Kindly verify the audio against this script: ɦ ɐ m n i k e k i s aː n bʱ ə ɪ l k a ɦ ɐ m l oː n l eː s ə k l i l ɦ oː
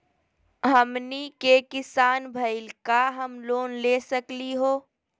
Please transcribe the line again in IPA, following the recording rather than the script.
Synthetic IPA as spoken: ɦ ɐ m n i k e k ɪ s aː n bʱ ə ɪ l k a ɦ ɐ m l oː n l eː s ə k l i ɦ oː